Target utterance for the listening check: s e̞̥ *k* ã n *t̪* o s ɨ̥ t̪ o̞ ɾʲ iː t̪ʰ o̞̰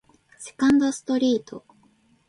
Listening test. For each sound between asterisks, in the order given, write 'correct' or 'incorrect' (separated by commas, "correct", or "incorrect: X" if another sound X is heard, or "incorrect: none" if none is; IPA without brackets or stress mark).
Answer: correct, incorrect: d̪